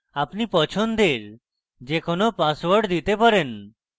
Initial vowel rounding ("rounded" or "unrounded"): unrounded